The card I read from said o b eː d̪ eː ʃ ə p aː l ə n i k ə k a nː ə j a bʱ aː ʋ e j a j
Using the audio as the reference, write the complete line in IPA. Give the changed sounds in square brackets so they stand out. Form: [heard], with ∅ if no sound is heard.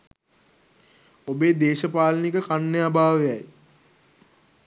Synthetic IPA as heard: o b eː d̪ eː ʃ ə p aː l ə n i k ə k a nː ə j a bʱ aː ʋ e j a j